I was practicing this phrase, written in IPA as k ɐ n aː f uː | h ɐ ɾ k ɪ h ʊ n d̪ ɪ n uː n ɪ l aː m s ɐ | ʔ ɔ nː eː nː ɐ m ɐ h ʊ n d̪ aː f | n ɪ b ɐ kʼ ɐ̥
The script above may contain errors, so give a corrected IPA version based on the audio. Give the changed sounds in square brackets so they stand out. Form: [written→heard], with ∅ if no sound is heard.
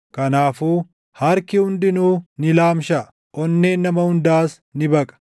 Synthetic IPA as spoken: k ɐ n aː f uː | h ɐ ɾ k ɪ h ʊ n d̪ ɪ n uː n ɪ l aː m [s→ʃ] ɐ | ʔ ɔ nː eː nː ɐ m ɐ h ʊ n d̪ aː [f→s] | n ɪ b ɐ kʼ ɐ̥